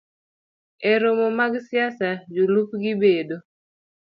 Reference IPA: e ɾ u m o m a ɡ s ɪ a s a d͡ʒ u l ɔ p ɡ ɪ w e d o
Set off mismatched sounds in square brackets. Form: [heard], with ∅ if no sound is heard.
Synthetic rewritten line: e ɾ [o] m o m a ɡ s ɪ a s a d͡ʒ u l [u] p ɡ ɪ [b] e d o

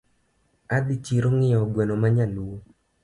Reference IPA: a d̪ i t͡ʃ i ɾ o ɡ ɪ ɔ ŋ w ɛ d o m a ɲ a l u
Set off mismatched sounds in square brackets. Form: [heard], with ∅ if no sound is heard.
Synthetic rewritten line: a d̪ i t͡ʃ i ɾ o [ŋ] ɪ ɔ [ɡ] w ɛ [n] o m a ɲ a l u

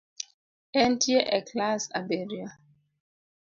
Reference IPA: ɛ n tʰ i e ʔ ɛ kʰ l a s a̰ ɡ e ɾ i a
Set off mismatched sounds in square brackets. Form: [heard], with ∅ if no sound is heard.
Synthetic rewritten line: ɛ n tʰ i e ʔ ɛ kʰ l a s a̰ [b] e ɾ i a

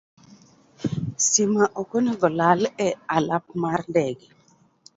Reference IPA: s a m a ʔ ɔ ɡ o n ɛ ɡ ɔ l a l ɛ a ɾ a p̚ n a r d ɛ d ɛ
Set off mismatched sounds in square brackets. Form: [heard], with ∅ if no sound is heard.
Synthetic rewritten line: s [i] m a ʔ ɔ [k] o n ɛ ɡ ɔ l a l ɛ a [l] a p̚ [m] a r d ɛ [ɡ] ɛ

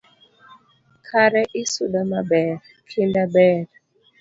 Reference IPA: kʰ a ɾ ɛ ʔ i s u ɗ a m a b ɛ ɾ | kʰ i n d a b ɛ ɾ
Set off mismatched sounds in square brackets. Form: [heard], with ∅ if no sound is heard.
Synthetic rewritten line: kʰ a ɾ ɛ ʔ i s u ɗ a m a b ɛ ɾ | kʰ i n d a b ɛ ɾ

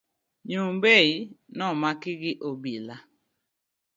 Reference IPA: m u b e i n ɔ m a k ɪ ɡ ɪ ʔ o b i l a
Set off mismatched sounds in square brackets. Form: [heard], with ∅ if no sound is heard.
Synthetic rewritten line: [ɲ] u b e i n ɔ m a k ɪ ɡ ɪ ʔ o b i l a

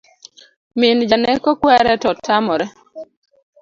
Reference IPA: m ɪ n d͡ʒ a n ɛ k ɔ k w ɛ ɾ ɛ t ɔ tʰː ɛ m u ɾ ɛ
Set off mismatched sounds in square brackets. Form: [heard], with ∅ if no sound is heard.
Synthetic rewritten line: m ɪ n d͡ʒ a n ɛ k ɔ k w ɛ ɾ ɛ t ɔ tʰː [a] m [ɔ] ɾ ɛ

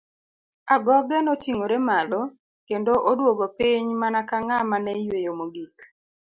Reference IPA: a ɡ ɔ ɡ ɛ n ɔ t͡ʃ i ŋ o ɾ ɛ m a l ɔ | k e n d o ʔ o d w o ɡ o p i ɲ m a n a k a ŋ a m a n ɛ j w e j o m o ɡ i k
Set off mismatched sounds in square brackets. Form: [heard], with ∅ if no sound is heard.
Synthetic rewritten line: a ɡ ɔ ɡ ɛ n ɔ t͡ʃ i ŋ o ɾ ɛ m a l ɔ | k e n d o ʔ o d w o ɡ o p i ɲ m a n a k a ŋ a m a n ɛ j w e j o m o ɡ i k

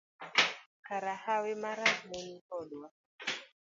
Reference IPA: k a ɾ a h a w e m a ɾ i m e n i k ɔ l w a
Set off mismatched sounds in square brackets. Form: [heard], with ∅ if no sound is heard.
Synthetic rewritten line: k a ɾ a h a w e m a ɾ [a] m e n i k ɔ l w a

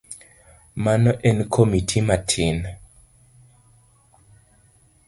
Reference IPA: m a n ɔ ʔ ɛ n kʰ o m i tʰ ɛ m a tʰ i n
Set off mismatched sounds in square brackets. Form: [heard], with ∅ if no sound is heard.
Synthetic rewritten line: m a n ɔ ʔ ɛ n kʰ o m i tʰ [i] m a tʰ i n

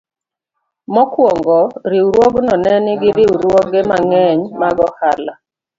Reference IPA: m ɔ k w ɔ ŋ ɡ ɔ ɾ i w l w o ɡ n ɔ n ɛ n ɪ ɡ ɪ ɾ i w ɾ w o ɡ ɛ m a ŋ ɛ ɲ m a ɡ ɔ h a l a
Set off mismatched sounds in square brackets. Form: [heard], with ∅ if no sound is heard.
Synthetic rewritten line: m ɔ k w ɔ ŋ ɡ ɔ ɾ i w [ɾ] w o ɡ n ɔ n ɛ n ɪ ɡ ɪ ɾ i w ɾ w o ɡ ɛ m a ŋ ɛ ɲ m a ɡ ɔ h a l a

